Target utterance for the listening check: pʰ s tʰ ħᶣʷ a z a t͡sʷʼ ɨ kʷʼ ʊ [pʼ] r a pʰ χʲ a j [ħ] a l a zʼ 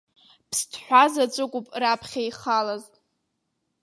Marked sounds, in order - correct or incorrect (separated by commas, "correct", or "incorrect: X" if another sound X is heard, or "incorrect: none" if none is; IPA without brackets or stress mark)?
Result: correct, incorrect: χ